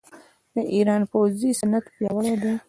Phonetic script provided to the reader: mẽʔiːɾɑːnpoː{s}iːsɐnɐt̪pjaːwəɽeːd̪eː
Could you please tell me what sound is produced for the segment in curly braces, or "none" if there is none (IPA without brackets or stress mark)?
z